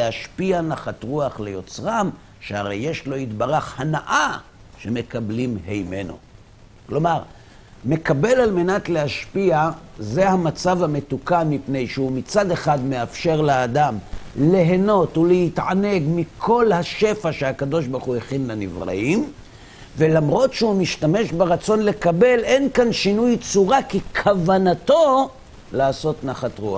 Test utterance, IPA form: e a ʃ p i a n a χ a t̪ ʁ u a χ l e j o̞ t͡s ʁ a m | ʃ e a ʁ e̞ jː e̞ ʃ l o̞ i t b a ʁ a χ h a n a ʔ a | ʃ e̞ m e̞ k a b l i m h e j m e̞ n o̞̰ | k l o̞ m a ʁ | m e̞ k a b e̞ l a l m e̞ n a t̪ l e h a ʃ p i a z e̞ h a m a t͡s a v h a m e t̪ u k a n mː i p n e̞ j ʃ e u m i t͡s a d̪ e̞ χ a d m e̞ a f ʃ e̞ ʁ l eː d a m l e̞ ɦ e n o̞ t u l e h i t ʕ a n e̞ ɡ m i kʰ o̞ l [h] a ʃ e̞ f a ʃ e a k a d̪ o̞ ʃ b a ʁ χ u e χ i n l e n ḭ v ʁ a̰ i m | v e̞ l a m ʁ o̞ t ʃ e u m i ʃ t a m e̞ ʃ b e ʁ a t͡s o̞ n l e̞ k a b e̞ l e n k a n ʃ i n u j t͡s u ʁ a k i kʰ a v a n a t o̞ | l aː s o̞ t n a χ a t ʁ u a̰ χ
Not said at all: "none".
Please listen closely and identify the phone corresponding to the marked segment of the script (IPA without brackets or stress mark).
h